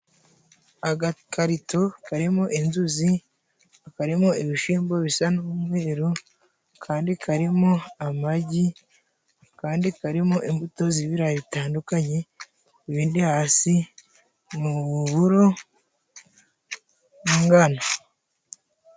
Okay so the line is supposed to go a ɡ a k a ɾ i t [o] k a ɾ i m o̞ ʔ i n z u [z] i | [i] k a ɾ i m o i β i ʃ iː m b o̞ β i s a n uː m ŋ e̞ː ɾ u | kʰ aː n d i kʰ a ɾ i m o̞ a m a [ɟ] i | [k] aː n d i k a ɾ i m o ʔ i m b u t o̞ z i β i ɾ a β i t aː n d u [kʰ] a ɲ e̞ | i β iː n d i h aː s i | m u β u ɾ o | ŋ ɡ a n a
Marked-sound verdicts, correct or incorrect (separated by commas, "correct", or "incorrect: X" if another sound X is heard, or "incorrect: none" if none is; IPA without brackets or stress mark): correct, correct, incorrect: a, correct, correct, incorrect: k